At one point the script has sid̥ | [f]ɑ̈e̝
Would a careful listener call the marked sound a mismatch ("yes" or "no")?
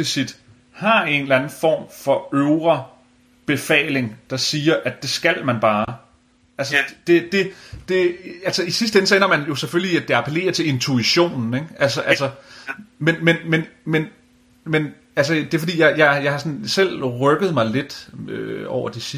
yes